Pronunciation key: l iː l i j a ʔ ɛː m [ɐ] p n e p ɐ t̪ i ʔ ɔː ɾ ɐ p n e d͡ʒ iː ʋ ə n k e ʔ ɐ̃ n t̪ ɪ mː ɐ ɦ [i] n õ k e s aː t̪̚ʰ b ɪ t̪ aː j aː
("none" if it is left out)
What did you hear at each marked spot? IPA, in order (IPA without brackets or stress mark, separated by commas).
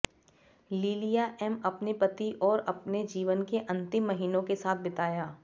ɐ, iː